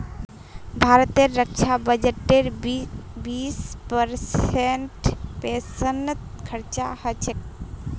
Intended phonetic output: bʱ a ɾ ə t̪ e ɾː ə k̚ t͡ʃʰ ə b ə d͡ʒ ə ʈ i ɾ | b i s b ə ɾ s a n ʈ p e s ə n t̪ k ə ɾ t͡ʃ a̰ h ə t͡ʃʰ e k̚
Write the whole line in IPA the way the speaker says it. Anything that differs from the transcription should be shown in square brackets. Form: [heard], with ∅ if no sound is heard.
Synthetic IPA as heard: bʱ a ɾ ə t̪ e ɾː ə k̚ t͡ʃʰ [a] b ə d͡ʒ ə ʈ [e] ɾ | b i s [p] ə ɾ s [e] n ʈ p e s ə n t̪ [kʰ] ə ɾ t͡ʃ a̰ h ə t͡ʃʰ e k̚